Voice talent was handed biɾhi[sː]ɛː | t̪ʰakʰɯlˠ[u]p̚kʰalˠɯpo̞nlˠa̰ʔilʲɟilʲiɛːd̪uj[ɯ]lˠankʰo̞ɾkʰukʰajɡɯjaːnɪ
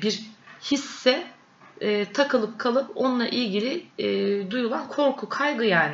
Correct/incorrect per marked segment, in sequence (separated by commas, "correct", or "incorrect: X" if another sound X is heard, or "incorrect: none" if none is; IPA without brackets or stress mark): correct, incorrect: ɯ, incorrect: u